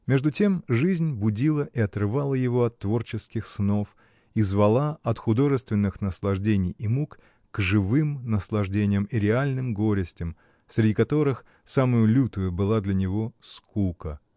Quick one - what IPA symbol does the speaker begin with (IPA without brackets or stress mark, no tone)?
mʲ